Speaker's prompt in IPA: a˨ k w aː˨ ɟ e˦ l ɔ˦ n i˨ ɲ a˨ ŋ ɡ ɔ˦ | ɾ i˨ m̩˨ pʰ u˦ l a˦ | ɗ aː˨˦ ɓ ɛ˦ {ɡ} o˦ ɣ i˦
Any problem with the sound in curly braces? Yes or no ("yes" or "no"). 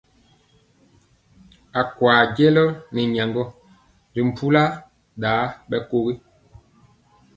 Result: yes